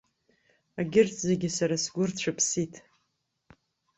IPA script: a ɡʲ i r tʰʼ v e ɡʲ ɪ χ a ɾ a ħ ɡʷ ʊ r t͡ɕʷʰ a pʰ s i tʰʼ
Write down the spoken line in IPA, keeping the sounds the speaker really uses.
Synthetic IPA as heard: a ɡʲ ɪ r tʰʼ z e ɡʲ ɪ s a ɾ a s ɡʷ ʊ r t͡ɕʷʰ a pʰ s i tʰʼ